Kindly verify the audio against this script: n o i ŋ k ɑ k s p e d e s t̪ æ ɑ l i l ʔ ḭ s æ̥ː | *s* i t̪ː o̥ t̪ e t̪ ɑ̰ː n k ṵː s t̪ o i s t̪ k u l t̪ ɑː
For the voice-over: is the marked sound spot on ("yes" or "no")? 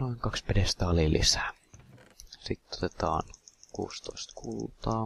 yes